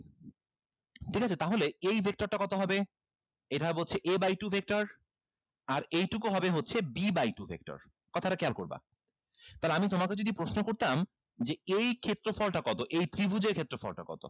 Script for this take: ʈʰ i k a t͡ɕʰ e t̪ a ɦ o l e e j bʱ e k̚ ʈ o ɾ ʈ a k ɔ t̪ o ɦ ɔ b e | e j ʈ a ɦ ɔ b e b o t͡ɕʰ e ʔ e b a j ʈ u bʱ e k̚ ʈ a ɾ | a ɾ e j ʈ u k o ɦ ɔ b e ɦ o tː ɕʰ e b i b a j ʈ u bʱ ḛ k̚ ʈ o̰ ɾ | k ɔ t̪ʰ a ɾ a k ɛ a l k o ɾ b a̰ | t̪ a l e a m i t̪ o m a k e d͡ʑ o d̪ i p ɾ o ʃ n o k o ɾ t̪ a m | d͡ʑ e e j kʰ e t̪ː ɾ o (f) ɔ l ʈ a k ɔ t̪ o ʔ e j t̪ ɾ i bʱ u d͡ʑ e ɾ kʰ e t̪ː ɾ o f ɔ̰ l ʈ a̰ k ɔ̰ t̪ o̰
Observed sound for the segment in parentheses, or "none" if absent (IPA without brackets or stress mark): f